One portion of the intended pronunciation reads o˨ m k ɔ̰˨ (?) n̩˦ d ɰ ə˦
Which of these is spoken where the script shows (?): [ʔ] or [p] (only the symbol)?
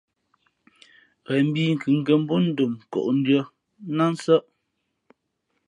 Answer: ʔ